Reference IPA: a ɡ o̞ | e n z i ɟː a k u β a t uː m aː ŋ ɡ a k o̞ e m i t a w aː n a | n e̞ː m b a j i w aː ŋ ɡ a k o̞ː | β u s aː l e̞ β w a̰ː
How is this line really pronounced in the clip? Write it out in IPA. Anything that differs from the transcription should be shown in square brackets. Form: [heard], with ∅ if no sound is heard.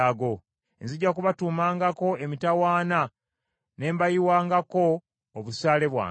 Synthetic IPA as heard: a ɡ o̞ | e n z i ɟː a k u β a t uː m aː ŋ ɡ a k o̞ e m i t a w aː n a | n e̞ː m b a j i w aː ŋ ɡ a k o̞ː | β u s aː l e̞ β w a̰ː